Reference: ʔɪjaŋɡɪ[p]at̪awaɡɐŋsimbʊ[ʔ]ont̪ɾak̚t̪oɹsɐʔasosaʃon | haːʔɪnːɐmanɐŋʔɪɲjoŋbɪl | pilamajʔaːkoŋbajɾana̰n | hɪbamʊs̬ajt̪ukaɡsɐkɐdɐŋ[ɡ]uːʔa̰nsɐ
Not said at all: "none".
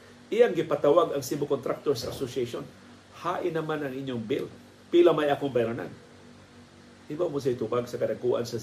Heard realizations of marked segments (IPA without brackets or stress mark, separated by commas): p, k, k